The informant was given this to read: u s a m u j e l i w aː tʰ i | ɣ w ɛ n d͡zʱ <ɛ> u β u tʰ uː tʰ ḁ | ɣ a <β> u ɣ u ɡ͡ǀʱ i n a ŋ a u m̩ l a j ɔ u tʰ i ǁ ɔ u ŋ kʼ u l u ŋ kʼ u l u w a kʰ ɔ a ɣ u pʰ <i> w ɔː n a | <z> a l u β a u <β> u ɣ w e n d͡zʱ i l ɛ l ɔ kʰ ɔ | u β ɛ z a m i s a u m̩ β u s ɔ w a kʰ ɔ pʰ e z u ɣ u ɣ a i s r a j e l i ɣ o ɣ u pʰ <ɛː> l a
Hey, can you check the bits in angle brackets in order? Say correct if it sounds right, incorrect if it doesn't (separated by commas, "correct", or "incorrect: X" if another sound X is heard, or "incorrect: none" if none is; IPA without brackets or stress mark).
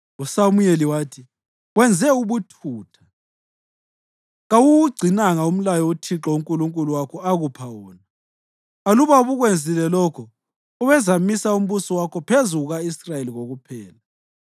correct, incorrect: w, incorrect: a, incorrect: ɣ, correct, correct